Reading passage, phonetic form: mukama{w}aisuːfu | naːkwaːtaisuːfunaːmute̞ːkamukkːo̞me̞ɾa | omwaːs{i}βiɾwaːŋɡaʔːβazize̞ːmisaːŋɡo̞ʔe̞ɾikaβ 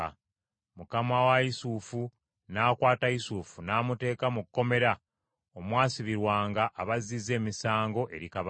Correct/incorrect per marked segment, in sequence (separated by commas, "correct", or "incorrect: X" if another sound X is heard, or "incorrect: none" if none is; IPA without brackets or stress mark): correct, correct